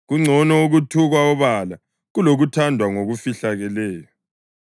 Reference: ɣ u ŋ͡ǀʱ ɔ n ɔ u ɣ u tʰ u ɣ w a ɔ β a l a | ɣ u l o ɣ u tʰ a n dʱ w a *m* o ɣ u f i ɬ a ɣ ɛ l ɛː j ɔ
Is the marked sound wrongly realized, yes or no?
yes